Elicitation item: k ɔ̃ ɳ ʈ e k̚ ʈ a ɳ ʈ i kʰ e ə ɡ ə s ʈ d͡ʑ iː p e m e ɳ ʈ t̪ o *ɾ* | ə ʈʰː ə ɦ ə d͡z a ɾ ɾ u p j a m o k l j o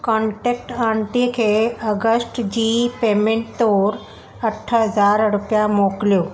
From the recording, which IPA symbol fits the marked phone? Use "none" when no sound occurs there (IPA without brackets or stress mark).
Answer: ɾ